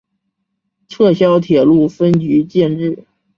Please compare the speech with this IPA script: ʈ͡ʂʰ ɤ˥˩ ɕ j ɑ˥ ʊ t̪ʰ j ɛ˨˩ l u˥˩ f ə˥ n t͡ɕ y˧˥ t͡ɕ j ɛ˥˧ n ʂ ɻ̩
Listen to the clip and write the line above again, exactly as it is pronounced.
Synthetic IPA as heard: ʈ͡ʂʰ ɤ˥˩ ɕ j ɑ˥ ʊ t̪ʰ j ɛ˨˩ l u˥˩ f ə˥ n t͡ɕ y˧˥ t͡ɕ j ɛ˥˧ n ʈ͡ʂ ɻ̩